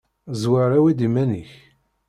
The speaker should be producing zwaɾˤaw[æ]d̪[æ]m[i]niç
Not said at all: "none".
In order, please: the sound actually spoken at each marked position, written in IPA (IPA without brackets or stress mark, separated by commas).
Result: i, i, æ